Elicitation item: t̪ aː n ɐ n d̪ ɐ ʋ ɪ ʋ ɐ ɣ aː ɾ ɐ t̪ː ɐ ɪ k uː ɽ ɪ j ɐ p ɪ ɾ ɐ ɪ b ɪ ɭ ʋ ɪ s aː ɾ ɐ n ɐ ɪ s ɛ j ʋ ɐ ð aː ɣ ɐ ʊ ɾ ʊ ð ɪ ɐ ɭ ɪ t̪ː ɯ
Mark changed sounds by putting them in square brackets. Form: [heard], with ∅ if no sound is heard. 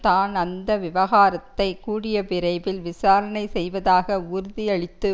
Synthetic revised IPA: t̪ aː n ɐ n d̪ ɐ ʋ ɪ ʋ ɐ ɣ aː ɾ ɐ t̪ː ɐ ɪ k uː ɽ ɪ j ɐ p ɪ ɾ ɐ ɪ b ɪ [l] ʋ ɪ s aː ɾ ɐ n ɐ ɪ s ɛ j ʋ ɐ ð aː ɣ ɐ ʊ ɾ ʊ ð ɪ ɐ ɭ ɪ t̪ː ɯ